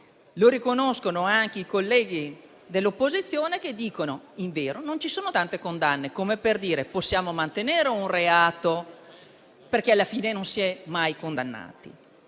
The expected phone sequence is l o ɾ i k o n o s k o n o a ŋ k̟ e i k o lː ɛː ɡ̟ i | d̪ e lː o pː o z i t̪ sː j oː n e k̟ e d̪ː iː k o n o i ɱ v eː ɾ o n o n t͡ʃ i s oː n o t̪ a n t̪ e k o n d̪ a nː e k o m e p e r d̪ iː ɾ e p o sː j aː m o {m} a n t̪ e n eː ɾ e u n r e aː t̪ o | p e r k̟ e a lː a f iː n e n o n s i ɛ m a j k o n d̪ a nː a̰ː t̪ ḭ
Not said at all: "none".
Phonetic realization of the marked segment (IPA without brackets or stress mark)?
m